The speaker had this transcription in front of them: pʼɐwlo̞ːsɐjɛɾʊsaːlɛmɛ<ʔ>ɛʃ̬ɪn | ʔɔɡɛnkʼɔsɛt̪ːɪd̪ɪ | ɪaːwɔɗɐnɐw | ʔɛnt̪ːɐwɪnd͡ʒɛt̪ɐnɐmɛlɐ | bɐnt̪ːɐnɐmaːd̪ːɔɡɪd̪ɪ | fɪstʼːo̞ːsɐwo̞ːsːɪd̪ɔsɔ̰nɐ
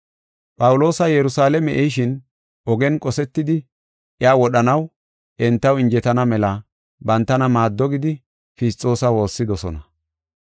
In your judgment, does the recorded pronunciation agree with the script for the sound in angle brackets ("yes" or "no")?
yes